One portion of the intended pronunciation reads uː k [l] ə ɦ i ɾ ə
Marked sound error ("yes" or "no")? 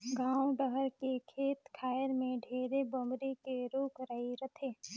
yes